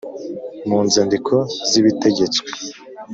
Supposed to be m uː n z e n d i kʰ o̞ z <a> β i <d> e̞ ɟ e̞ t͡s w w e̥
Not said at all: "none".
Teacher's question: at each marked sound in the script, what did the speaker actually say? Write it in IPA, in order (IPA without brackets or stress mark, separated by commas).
i, t